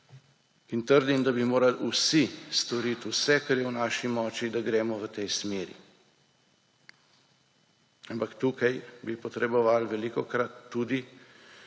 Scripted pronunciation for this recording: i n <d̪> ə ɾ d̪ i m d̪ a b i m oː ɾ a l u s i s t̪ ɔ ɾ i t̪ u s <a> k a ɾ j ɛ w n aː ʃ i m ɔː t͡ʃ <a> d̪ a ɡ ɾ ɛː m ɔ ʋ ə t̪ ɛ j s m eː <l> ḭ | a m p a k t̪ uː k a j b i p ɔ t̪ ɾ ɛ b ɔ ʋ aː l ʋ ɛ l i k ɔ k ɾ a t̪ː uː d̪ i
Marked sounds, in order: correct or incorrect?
incorrect: t̪, incorrect: ɛ, incorrect: i, incorrect: ɾ

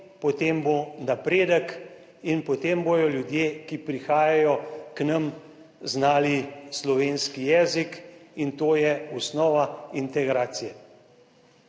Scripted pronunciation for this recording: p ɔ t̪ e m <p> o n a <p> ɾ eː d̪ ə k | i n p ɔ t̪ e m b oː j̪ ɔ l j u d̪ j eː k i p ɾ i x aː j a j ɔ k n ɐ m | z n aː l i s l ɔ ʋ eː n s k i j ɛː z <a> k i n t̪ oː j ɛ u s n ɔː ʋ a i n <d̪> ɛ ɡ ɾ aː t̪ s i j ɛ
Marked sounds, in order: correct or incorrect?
incorrect: b, correct, incorrect: i, incorrect: t̪

